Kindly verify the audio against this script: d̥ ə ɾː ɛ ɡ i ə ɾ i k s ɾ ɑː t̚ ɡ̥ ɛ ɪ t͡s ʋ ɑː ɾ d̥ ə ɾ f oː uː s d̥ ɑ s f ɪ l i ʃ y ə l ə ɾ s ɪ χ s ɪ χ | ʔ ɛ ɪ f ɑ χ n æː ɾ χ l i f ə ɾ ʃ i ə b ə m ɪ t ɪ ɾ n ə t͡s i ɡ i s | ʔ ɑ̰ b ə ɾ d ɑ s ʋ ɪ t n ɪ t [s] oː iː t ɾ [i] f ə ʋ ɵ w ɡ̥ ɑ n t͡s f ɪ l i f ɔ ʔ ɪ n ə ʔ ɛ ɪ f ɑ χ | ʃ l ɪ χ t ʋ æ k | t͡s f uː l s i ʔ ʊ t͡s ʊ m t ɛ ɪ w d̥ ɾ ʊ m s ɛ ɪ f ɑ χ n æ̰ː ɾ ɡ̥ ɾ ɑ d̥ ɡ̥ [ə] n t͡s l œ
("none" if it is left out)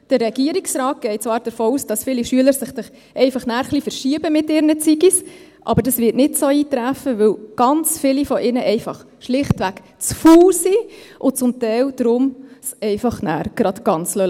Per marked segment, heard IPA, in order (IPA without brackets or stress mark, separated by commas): s, æ, ɑ